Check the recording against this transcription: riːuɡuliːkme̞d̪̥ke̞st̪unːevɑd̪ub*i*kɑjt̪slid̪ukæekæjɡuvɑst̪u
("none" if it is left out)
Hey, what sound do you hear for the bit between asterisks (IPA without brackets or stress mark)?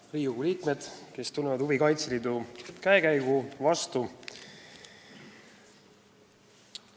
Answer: i